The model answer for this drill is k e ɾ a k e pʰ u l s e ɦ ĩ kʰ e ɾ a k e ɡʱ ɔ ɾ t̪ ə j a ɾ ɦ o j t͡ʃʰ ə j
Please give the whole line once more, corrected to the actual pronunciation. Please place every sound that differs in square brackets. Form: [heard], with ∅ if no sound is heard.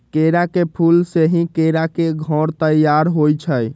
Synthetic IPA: k e ɾ a k e pʰ u l s e ɦ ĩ [k] e ɾ a k e ɡʱ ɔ ɾ t̪ ə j a ɾ ɦ o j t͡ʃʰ ə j

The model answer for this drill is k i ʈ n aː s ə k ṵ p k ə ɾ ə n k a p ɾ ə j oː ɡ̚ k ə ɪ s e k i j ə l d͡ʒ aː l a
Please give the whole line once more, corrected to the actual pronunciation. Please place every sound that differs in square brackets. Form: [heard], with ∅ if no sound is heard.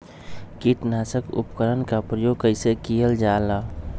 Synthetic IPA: k i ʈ n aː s ə k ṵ p k ə ɾ ə n k a p ɾ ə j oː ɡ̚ k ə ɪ s e k i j ə l d͡ʒ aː l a

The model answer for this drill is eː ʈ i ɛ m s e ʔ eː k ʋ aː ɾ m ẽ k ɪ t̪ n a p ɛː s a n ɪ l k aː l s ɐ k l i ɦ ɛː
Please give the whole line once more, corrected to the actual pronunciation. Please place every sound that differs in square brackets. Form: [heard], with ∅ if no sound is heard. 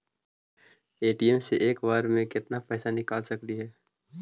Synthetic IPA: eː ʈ i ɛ m s e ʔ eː k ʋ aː ɾ m ẽ k ɪ t̪ n a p ɛː s a n ɪ [∅] k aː l s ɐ k l i ɦ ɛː

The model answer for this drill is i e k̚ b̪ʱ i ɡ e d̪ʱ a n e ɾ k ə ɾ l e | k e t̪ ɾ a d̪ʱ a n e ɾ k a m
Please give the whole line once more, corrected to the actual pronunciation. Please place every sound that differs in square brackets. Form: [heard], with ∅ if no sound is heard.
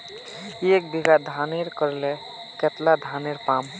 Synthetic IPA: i e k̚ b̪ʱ i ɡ [a] d̪ʱ a n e ɾ k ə ɾ l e | k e t̪ [l] a d̪ʱ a n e ɾ [p] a m

